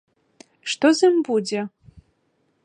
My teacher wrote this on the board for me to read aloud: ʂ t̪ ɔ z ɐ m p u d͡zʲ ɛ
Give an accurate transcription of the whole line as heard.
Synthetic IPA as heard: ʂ t̪ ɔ z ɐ m b u d͡zʲ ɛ

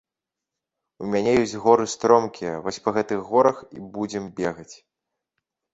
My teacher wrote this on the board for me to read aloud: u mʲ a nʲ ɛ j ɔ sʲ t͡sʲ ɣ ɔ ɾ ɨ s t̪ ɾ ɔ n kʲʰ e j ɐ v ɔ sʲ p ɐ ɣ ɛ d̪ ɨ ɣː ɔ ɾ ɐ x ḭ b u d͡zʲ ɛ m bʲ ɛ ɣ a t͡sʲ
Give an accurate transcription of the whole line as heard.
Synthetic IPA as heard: u mʲ a nʲ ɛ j ɔ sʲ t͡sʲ ɣ ɔ ɾ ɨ s t̪ ɾ ɔ m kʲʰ i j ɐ v ɔ sʲ p ɐ ɣ ɛ t̪ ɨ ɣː ɔ ɾ ɐ x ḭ b u d͡zʲ ɛ m bʲ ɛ ɣ ɐ t͡sʲ

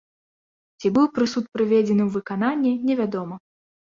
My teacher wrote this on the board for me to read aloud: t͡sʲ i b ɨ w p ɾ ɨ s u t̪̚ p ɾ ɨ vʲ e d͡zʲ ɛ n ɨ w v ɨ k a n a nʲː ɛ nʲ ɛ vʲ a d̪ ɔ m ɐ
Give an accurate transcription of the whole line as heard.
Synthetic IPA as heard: t͡sʲ i b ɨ w p ɾ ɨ s u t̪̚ p ɾ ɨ vʲ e d͡zʲ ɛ n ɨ w v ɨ k a n a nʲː ɛ nʲ ɛ vʲ a d̪ ɔ m ɐ

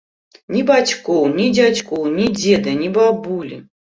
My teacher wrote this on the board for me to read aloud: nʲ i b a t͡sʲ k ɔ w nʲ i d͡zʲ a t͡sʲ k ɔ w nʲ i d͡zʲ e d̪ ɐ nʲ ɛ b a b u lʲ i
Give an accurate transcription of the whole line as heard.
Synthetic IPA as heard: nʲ i b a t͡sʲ k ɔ w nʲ i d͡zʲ a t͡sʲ k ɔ w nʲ i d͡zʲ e d̪ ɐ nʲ i b a b u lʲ i

